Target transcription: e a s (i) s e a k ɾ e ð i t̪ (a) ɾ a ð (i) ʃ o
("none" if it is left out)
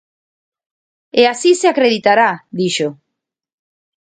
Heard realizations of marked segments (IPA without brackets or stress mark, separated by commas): i, a, i